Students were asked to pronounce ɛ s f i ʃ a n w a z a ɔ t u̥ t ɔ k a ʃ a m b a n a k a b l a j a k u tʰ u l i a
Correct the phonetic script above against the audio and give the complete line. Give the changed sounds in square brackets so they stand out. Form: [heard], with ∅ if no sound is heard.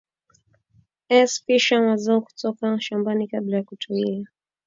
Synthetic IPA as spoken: ɛ s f i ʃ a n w a z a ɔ [k] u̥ t ɔ k a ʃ a m b a n [i] k a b l a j a k u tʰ u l i a